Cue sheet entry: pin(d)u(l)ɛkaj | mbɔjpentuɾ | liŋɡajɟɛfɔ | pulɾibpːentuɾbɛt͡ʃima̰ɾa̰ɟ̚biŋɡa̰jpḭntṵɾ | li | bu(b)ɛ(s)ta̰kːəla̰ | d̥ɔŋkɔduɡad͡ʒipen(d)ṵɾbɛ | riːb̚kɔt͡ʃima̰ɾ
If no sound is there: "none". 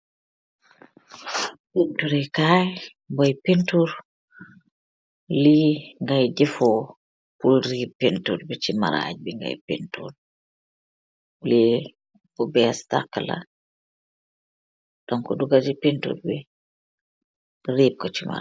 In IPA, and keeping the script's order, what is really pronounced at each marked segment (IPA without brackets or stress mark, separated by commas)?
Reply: t, ɾ, b, s, t